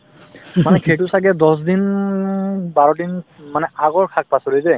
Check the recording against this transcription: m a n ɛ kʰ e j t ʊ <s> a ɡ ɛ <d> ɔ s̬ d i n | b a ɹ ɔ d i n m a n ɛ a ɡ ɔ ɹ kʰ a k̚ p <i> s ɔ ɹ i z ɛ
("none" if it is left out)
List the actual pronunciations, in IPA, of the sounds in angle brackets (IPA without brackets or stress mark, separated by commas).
s, d, a